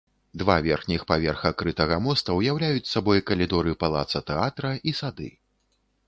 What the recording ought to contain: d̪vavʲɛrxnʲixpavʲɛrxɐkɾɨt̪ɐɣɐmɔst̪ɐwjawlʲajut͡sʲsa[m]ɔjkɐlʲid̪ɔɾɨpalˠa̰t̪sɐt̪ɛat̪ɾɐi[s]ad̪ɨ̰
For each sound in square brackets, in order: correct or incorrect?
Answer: incorrect, correct

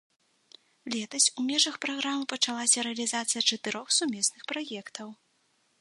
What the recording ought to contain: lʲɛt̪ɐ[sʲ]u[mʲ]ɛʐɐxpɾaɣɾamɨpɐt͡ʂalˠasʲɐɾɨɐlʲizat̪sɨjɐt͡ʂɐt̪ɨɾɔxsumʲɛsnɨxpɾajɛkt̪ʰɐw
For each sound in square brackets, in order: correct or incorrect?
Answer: correct, correct

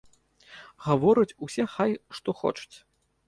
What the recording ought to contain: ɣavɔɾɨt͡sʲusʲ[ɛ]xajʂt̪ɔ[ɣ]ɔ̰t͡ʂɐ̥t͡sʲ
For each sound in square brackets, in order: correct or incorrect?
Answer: correct, incorrect

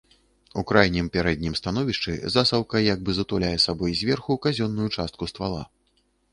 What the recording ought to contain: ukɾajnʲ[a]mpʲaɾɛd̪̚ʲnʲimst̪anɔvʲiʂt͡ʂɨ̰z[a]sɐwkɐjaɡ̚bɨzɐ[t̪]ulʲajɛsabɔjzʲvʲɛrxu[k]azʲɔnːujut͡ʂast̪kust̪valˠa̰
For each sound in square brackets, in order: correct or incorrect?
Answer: incorrect, correct, correct, correct

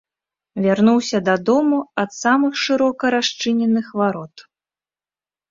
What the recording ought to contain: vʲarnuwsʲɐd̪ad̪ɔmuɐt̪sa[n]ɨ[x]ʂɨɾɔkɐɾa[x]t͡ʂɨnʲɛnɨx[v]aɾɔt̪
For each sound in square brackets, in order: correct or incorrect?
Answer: incorrect, correct, incorrect, correct

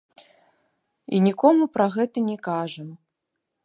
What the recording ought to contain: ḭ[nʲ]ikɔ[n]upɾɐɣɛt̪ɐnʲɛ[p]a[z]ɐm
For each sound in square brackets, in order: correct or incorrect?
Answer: correct, incorrect, incorrect, incorrect

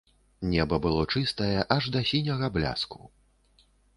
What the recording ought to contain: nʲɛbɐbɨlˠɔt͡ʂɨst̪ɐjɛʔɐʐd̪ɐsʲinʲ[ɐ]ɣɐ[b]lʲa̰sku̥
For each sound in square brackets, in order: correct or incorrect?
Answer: correct, correct

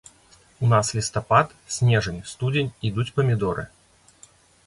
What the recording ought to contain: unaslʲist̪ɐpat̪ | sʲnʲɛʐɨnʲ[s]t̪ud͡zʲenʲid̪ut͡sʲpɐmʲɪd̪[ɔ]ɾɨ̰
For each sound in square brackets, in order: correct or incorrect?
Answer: correct, correct

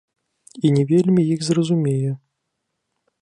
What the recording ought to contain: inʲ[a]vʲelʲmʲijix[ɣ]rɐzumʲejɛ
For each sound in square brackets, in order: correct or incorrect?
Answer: incorrect, incorrect

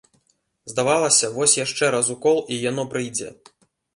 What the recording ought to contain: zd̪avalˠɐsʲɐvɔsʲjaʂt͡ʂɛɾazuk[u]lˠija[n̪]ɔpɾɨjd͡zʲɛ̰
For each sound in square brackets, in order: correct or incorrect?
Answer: incorrect, correct

